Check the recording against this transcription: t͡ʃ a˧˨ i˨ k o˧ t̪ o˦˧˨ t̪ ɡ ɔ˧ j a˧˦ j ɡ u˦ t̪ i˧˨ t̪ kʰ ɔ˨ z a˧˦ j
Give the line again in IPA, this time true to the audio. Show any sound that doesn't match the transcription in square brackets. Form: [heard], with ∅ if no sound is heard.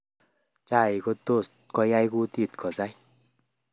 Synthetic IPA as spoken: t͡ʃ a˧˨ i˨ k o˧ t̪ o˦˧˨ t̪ [k] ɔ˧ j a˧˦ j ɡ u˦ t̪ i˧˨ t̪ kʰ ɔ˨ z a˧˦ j